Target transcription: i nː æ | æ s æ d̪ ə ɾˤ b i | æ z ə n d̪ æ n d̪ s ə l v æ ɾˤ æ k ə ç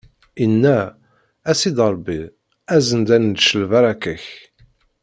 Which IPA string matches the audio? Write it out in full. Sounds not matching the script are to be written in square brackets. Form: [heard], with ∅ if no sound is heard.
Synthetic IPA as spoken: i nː æ | æ s [i] d̪ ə ɾˤ b i | æ z ə n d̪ æ n d̪ [ʃ] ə l v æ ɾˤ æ k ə ç

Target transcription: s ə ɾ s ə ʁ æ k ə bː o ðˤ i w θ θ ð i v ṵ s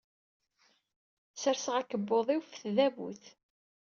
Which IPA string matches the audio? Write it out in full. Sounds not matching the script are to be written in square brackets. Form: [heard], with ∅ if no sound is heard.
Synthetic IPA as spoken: s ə ɾ s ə ʁ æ k ə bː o ðˤ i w [f] θ ð [æ] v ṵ [θ]

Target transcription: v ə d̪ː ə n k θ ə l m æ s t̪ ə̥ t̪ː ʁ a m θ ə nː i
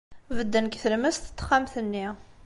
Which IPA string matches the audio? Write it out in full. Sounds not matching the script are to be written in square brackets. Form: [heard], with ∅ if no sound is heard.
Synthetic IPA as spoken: v ə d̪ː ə n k θ ə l m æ s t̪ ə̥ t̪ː [χ] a m θ ə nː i

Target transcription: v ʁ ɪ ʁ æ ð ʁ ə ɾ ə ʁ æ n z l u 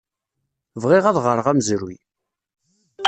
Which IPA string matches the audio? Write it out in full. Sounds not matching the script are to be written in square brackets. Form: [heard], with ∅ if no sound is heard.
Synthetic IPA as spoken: v ʁ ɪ ʁ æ ð ʁ ə ɾ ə ʁ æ [m] z [ɾ] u

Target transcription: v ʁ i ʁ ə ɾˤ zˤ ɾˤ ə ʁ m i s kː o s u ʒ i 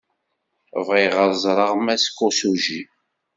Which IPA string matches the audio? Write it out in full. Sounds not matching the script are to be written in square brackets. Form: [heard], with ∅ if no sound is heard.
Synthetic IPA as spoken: v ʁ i ʁ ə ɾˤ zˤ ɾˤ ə ʁ m [æ] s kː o s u ʒ i

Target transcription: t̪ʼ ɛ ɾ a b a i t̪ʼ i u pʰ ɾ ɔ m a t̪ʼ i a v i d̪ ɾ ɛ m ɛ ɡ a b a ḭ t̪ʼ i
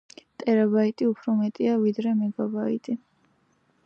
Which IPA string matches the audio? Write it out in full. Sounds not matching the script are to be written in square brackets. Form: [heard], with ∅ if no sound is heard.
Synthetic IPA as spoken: t̪ʼ ɛ ɾ a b a i t̪ʼ i u pʰ ɾ ɔ m [ɛ] t̪ʼ i a v i d̪ ɾ ɛ m ɛ ɡ a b a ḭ t̪ʼ i

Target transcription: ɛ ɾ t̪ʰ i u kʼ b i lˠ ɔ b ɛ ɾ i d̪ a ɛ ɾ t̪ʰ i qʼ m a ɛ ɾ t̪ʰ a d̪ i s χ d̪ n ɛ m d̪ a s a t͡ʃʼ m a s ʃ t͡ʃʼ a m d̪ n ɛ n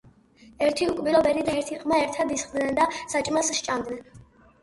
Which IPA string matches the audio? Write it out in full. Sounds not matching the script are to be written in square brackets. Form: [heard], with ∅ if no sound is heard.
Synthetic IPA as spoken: ɛ ɾ t̪ʰ i u kʼ b i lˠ ɔ b ɛ ɾ i d̪ a ɛ ɾ t̪ʰ i qʼ m a ɛ ɾ t̪ʰ a d̪ i s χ d̪ n ɛ [n] d̪ a s a t͡ʃʼ m a s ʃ t͡ʃʼ a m d̪ n ɛ n

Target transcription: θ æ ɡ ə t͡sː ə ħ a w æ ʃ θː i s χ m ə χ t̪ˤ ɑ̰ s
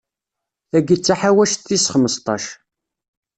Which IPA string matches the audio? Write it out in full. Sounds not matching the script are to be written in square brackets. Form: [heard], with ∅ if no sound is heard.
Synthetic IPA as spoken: θ æ ɡ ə t͡sː [a] ħ a w æ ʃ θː i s χ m ə [s] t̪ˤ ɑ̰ [ʃ]

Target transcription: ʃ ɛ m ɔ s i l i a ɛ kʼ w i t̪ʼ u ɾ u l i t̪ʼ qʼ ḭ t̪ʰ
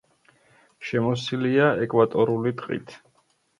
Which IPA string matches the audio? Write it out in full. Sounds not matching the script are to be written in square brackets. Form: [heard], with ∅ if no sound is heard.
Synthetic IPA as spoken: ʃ ɛ m ɔ s i l i a ɛ kʼ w [a] t̪ʼ [ɔ] ɾ u l i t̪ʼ qʼ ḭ t̪ʰ

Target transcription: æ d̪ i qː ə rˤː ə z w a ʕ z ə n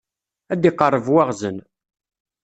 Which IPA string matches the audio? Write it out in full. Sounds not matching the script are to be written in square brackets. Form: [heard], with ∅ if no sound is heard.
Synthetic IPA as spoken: æ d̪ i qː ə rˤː ə [v] w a [ʁ] z ə n

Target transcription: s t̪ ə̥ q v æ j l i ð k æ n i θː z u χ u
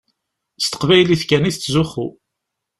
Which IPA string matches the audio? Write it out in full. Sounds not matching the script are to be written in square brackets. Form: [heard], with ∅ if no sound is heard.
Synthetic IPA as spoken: s t̪ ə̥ q v æ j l i [θ] k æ n i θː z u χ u

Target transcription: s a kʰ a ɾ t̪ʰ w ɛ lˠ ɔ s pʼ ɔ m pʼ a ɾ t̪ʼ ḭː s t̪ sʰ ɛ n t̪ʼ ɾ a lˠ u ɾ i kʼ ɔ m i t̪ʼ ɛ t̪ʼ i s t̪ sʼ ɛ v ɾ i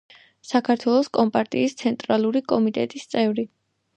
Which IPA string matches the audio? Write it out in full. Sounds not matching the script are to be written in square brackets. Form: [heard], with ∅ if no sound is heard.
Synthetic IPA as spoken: s a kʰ a ɾ t̪ʰ w ɛ lˠ ɔ s [kʼ] ɔ m pʼ a ɾ t̪ʼ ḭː s t̪ sʰ ɛ n t̪ʼ ɾ a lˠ u ɾ i kʼ ɔ m i t̪ʼ ɛ t̪ʼ i s t̪ sʼ ɛ v ɾ i

